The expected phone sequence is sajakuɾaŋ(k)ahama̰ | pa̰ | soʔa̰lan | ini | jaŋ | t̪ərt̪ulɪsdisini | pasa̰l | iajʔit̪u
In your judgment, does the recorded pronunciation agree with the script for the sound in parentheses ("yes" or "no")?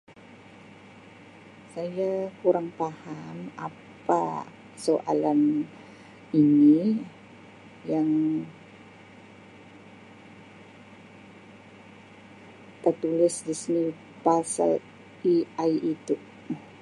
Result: no